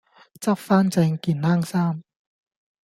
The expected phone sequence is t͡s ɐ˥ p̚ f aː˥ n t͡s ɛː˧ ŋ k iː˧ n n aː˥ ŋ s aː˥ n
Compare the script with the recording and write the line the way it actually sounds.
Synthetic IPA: t͡s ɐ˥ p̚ f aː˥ n t͡s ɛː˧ ŋ k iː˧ n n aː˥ ŋ s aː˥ m